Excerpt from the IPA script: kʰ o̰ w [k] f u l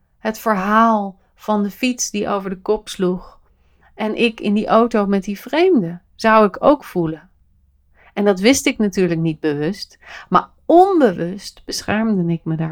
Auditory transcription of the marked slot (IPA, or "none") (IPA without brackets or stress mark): k